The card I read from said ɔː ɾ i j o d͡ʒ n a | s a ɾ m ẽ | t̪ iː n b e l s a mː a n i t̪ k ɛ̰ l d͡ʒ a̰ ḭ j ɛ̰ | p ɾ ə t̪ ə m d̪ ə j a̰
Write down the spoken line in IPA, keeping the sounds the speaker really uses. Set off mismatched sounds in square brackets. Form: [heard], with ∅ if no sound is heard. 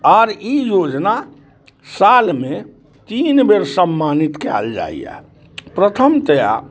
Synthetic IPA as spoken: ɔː ɾ i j o d͡ʒ n a | s a [l] m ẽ | t̪ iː n b e [ɾ] s [ə] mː a n i t̪ k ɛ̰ l d͡ʒ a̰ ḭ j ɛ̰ | p ɾ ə [t̪ʰ] ə m [t̪] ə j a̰